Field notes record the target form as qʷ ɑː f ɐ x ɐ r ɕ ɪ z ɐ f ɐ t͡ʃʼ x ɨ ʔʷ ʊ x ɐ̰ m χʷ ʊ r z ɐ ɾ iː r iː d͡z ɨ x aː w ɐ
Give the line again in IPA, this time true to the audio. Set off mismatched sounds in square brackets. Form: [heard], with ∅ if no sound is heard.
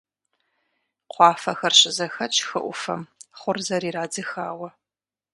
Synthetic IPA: qʷ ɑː f ɐ x ɐ r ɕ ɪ z ɐ [x] ɐ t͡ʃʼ x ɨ ʔʷ ʊ [f] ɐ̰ m χʷ ʊ r z ɐ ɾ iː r [aː] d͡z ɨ x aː w ɐ